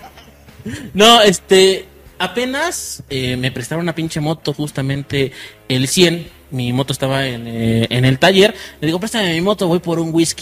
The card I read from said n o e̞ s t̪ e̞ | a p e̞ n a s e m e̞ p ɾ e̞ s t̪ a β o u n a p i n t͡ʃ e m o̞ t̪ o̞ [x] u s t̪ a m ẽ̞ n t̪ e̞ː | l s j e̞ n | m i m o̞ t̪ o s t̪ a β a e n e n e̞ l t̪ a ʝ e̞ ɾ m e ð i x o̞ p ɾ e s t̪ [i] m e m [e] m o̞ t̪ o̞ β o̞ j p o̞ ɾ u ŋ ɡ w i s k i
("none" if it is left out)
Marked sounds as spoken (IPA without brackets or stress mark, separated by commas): x, a, i